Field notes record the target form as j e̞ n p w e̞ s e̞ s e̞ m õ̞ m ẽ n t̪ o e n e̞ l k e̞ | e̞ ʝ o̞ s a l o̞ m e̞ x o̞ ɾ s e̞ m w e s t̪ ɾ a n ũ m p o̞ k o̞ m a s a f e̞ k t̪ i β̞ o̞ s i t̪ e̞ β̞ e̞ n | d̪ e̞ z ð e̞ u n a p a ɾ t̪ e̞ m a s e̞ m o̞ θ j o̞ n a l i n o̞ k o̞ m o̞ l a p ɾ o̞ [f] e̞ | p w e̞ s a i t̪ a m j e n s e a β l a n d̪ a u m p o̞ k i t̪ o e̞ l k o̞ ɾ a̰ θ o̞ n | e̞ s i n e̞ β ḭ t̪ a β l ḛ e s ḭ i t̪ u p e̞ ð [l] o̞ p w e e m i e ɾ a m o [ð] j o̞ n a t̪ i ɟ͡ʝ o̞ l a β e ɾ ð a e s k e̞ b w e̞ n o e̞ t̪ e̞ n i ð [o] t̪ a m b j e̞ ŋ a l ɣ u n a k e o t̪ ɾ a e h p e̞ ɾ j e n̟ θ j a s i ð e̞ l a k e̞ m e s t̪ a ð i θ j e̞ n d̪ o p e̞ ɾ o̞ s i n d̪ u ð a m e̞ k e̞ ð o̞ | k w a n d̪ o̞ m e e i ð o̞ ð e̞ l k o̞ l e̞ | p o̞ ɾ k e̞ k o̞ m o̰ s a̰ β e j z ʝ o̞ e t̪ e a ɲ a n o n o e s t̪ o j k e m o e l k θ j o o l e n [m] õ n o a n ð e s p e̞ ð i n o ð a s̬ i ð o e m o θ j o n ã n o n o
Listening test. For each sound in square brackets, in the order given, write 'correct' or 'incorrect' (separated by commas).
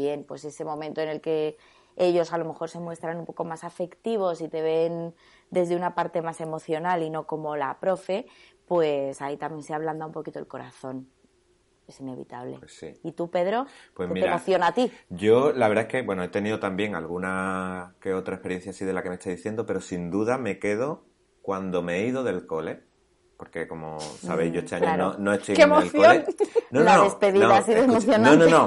correct, incorrect, incorrect, correct, incorrect